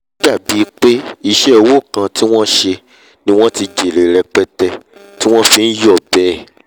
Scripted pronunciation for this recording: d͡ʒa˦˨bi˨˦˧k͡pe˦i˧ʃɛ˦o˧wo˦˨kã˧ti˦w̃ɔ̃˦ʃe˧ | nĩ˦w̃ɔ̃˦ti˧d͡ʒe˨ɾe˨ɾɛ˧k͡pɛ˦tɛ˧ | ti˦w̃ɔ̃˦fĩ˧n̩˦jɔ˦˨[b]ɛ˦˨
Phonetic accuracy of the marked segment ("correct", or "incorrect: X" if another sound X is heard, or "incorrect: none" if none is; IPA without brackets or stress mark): correct